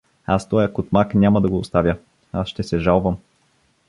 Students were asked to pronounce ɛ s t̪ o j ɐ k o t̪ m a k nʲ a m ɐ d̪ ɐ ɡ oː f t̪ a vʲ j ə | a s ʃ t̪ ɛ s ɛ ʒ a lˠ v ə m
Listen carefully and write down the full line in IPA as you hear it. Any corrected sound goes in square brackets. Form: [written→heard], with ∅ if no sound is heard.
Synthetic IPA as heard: [ɛ→a] s t̪ [o→ɔ] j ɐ k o t̪ m a k nʲ a m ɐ d̪ ɐ ɡ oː [f→s] t̪ a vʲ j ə | a s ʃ t̪ ɛ s ɛ ʒ a lˠ v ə m